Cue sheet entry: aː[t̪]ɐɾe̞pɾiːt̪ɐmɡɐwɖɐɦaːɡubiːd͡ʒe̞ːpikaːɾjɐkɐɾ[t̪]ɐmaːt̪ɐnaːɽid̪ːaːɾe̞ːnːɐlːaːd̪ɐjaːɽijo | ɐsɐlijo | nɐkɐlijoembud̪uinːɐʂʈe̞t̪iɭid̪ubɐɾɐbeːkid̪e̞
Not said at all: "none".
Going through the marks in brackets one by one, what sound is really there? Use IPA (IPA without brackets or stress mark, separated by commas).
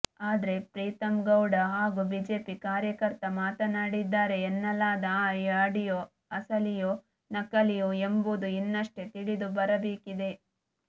d̪, t̪